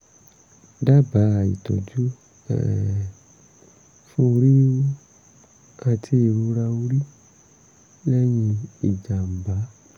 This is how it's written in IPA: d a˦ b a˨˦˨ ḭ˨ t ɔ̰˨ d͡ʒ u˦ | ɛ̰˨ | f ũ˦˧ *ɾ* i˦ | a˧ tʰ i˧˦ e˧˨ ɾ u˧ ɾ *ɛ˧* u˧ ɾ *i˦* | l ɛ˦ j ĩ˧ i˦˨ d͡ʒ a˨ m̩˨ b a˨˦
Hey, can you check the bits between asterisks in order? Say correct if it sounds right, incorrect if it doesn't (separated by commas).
correct, incorrect, correct